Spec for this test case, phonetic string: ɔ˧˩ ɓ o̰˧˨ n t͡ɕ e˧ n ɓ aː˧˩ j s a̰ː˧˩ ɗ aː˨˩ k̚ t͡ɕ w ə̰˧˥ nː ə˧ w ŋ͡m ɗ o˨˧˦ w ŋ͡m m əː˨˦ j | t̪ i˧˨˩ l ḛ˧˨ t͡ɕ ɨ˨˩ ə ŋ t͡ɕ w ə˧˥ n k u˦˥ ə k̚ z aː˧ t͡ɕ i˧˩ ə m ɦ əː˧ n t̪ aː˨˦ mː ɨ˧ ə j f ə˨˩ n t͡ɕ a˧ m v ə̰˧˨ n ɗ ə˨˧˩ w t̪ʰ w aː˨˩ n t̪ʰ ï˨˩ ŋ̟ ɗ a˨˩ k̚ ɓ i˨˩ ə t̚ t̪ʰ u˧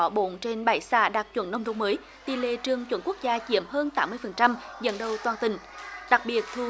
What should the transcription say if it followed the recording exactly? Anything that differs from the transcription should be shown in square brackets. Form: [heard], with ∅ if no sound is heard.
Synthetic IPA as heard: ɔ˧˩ ɓ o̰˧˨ n t͡ɕ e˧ n ɓ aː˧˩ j s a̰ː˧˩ ɗ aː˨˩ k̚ t͡ɕ w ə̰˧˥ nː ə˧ w ŋ͡m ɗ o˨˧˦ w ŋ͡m m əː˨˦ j | t̪ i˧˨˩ l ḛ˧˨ t͡ɕ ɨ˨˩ ə ŋ t͡ɕ w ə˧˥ n k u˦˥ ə k̚ z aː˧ t͡ɕ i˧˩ ə m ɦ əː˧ n t̪ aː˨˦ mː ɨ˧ ə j f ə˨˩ n t͡ɕ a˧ m [z] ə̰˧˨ n ɗ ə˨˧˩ w [t̪] w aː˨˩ n [t̪] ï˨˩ ŋ̟ ɗ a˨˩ k̚ ɓ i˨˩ ə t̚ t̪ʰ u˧